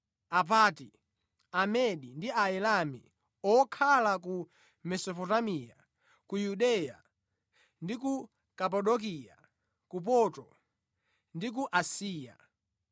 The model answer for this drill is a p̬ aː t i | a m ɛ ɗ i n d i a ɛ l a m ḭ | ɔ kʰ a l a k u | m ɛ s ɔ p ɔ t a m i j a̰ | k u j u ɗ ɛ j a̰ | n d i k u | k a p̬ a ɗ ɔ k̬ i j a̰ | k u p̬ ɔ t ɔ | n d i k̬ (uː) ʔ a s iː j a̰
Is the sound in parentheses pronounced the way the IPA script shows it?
no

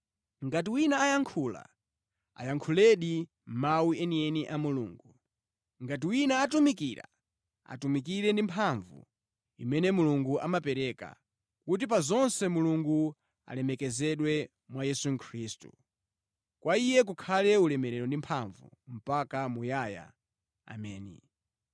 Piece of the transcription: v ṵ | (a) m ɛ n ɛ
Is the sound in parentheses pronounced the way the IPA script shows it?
no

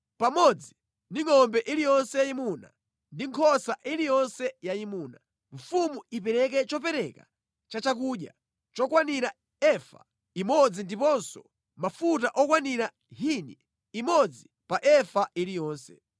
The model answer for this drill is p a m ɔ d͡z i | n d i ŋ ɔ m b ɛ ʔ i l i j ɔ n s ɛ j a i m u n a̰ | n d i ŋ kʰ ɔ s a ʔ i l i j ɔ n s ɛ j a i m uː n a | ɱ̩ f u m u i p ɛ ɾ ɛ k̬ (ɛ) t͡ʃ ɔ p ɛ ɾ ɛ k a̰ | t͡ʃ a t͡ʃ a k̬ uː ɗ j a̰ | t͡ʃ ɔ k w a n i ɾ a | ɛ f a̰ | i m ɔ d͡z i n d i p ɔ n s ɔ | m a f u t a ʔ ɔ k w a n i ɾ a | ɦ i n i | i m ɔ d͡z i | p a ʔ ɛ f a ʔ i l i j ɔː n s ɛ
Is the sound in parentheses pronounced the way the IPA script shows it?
yes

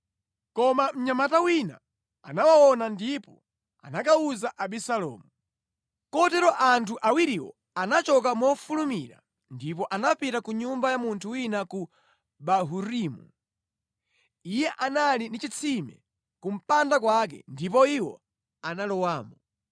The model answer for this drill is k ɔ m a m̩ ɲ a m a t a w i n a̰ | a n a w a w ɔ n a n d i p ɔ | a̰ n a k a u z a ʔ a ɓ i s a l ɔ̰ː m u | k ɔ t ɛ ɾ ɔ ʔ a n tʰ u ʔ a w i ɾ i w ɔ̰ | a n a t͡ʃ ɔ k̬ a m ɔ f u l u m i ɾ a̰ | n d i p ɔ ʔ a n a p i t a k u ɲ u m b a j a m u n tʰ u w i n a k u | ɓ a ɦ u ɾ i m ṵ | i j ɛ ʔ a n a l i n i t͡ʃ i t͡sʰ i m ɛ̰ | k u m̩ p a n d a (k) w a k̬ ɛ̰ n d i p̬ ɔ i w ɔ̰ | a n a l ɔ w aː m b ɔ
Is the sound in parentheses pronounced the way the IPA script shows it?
yes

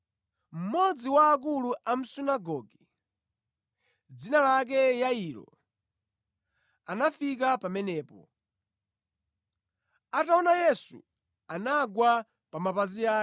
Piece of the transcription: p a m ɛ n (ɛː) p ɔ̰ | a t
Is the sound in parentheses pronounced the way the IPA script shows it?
yes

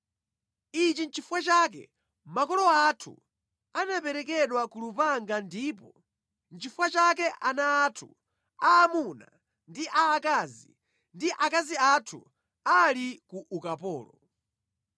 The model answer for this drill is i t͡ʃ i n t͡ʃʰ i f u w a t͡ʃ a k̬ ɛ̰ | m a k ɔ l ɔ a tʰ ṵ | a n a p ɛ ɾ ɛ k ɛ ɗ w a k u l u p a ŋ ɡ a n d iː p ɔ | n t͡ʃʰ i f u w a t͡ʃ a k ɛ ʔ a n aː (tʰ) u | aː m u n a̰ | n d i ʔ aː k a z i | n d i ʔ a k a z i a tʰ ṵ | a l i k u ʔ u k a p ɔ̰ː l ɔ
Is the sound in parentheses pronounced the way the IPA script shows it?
yes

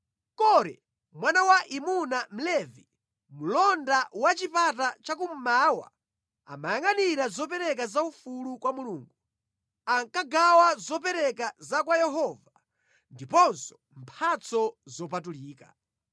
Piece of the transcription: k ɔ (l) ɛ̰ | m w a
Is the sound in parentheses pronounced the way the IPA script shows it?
no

